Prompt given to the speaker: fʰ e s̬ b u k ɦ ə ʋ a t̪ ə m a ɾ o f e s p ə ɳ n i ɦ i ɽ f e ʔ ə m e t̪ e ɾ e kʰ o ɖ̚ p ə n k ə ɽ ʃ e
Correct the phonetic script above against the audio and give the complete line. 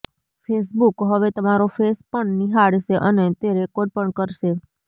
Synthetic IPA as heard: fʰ e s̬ b u k ɦ ə ʋ e t̪ ə m a ɾ o f e s p ə ɳ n i ɦ a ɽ ʃ e ʔ ə n e t̪ e ɾ e k o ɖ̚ p ə ɳ k ə ɾ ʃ e

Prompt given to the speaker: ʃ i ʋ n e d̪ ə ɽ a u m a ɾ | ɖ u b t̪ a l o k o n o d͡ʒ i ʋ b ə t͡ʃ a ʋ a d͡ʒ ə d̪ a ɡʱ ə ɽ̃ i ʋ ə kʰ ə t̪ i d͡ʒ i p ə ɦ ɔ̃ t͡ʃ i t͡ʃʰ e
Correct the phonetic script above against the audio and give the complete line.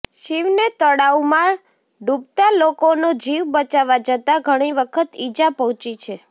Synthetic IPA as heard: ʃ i ʋ n e t̪ ə ɽ a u m a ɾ | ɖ u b t̪ a l o k o n o d͡ʒ i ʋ b ə t͡ʃ a ʋ a d͡ʒ ə t̪ a ɡʱ ə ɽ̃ i ʋ ə kʰ ə t̪ i d͡ʒ a p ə ɦ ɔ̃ t͡ʃ i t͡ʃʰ e

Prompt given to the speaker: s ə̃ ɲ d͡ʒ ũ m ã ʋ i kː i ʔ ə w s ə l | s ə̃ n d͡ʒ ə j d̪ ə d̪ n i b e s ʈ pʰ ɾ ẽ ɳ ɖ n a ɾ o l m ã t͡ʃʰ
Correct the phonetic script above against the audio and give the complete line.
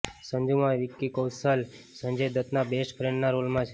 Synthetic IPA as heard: s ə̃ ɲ d͡ʒ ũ m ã ʋ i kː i k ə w s ə l | s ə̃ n d͡ʒ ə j d̪ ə t̪ n a b e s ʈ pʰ ɾ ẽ ɳ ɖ n a ɾ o l m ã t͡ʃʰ

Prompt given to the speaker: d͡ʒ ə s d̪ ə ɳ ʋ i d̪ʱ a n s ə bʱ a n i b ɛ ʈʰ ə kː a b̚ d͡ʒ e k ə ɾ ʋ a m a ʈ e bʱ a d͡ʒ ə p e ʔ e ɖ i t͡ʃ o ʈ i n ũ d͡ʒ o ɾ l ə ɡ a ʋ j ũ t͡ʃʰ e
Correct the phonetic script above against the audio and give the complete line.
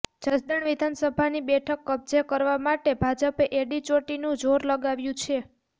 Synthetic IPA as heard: d͡ʒ ə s d̪ ə ɳ ʋ i d̪ʱ a n s ə bʱ a n i b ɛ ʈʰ ə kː ə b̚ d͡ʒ e k ə ɾ ʋ a m a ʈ e bʱ a d͡ʒ ə p e ʔ e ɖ i t͡ʃ o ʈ i n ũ d͡ʒ o ɾ l ə ɡ a ʋ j ũ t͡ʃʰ e

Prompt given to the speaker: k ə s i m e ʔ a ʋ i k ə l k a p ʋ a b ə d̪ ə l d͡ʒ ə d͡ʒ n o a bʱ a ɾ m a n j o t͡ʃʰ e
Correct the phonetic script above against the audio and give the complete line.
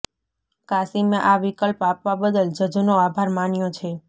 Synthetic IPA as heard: k a s i m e ʔ a ʋ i k ə l p a p ʋ a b ə d̪ ə l d͡ʒ ə d͡ʒ n o a bʱ a ɾ m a n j o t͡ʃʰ e

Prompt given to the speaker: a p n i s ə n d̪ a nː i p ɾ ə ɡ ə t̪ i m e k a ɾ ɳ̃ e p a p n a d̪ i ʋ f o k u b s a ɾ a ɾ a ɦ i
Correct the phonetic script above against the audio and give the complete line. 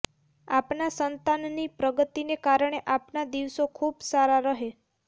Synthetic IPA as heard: a p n a s ə n t̪ a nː i p ɾ ə ɡ ə t̪ i n e k a ɾ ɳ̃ e ʔ a p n a d̪ i ʋ s o kʰ u b s a ɾ a ɾ ə ɦ e

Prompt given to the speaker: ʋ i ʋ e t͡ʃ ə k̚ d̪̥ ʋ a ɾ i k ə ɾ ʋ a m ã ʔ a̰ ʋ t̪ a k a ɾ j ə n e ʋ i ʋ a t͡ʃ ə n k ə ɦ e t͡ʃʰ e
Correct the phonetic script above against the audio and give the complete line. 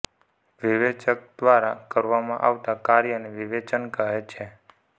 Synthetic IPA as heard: ʋ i ʋ e t͡ʃ ə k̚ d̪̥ ʋ a ɾ a k ə ɾ ʋ a m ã ʔ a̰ ʋ t̪ a k a ɾ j ə n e ʋ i ʋ e t͡ʃ ə n k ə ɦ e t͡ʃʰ e

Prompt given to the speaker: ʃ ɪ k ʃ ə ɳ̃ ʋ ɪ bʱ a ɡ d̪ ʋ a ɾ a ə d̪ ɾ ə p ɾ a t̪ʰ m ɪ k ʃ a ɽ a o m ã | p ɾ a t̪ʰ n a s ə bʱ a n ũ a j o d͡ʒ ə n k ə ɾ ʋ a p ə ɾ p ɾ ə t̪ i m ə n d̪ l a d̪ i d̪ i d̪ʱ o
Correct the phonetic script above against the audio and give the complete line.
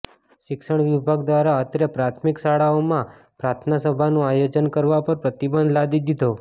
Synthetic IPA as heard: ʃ ɪ k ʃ ə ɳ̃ ʋ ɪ bʱ a ɡ d̪ ʋ a ɾ a ə t̪ ɾ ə p ɾ a t̪ʰ m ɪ k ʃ a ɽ a o m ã | p ɾ a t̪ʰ n a s ə bʱ a n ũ a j o d͡ʒ ə n k ə ɾ ʋ a p ə ɾ p ɾ ə t̪ i b ə n d̪ l a d̪ i d̪ i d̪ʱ o

